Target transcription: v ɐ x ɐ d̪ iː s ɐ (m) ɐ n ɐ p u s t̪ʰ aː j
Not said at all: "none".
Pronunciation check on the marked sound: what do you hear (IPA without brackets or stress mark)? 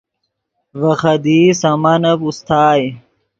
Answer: m